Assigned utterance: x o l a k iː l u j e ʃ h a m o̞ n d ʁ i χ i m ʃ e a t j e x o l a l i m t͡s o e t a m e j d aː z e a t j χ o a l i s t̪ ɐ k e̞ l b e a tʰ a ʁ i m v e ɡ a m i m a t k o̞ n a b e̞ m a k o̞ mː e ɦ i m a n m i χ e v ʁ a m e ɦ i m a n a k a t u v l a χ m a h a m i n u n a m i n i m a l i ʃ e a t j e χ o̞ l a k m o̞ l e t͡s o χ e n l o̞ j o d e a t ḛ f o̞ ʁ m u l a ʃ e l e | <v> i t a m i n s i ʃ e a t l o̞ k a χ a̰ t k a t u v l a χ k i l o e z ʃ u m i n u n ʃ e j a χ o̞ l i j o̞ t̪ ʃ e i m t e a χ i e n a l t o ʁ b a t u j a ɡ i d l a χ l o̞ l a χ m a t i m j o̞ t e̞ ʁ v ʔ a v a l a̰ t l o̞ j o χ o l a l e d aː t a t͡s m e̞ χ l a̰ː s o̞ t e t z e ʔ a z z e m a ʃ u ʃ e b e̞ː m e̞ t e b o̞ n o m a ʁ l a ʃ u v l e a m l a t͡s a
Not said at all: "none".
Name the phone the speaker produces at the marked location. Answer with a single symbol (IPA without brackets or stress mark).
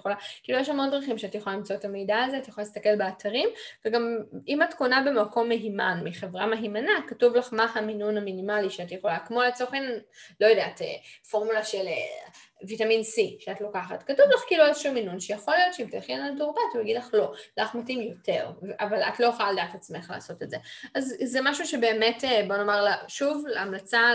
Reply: v